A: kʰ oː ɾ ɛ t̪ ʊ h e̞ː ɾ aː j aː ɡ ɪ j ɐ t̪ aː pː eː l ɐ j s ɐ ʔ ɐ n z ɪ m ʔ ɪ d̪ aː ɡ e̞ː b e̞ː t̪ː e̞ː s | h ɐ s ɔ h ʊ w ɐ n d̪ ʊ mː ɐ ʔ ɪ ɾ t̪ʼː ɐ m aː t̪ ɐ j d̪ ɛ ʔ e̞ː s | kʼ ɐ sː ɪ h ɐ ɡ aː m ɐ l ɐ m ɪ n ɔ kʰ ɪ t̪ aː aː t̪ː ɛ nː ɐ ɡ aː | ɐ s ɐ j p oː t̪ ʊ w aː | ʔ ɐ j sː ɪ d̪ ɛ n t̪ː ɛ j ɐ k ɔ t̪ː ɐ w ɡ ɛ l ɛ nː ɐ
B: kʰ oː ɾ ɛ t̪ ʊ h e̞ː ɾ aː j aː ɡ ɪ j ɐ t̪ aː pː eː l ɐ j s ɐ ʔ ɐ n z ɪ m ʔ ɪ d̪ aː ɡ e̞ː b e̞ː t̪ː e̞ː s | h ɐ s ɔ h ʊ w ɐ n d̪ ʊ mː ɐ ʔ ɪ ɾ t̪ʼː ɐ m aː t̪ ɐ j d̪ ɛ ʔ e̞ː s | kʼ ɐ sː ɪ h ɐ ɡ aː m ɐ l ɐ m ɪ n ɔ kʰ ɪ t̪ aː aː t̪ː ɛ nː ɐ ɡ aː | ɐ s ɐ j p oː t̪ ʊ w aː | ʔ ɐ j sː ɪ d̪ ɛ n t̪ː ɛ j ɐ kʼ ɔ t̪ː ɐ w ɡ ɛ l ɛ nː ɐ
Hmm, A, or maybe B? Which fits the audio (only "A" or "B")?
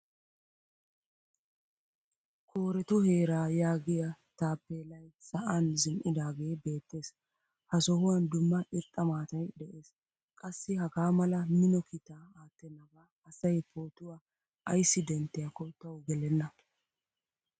A